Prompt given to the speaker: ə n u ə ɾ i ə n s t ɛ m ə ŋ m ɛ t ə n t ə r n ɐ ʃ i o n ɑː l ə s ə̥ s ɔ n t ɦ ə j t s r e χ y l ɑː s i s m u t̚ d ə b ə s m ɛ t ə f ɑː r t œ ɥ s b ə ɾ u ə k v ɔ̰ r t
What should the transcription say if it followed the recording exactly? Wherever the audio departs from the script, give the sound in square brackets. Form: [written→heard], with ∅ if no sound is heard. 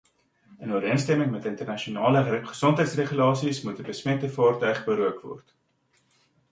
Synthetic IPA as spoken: ə n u ə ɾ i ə n s t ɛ m ə ŋ m ɛ t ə n t ə r n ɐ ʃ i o n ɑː l ə [s→χ] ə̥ s ɔ n t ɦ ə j t s r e χ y l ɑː s i s m u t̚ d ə b ə s m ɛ t ə f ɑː r t œ ɥ [s→χ] b ə ɾ u ə k v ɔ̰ r t